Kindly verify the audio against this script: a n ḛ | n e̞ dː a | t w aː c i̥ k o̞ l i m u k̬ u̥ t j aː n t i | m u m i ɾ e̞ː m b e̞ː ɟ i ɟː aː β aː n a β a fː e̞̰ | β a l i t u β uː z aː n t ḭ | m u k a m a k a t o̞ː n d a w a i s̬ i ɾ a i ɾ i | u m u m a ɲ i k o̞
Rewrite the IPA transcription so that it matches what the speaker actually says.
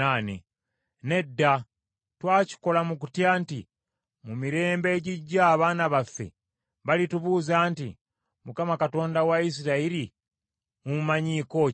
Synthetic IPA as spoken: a n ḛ | n e̞ dː a | t w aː c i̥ k o̞ l a m u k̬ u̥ t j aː n t i | m u m i ɾ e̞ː m b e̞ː ɟ i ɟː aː β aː n a β a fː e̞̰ | β a l i t u β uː z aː n t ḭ | m u k a m a k a t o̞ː n d a w a i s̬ i ɾ a i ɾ i | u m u m a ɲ i k o̞